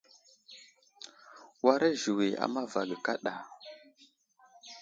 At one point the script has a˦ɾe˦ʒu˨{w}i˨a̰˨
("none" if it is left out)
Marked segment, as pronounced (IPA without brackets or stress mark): w